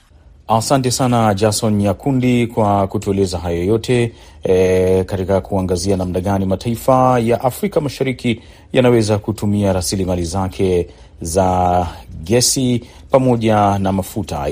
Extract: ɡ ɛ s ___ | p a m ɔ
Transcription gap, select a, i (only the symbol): i